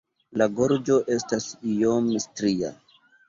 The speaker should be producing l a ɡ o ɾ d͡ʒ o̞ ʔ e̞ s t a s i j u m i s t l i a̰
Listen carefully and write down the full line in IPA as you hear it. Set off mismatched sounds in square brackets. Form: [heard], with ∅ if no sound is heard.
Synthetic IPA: l a ɡ o ɾ d͡ʒ o̞ ʔ e̞ s t a s i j [o] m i s t [ɾ] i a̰